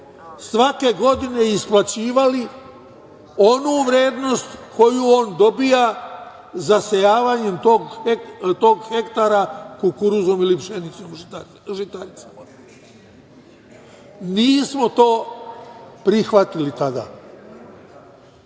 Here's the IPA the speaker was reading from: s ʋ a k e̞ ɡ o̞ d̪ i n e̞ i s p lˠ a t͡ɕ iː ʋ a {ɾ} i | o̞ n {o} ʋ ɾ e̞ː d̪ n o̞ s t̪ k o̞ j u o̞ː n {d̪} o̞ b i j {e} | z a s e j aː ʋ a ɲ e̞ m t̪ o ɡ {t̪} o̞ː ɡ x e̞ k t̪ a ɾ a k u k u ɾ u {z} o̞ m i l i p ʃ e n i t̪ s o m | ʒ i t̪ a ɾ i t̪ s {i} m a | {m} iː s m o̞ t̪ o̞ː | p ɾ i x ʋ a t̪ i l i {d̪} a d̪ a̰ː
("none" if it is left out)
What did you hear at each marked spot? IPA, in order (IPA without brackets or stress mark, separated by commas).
l, u, d̪, a, t̪, z, a, n, t̪